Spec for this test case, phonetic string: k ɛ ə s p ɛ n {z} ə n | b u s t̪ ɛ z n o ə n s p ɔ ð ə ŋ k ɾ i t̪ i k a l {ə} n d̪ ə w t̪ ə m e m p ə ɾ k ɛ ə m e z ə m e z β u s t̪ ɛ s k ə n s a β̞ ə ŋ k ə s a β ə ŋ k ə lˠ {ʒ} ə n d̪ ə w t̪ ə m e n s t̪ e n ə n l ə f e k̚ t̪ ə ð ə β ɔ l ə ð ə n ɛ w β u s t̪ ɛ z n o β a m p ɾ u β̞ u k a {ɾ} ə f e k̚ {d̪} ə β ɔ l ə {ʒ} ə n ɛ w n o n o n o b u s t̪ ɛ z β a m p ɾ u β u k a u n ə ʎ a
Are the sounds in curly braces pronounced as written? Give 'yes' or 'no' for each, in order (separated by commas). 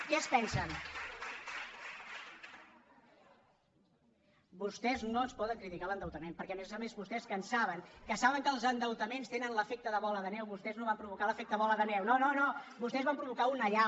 no, yes, no, no, no, no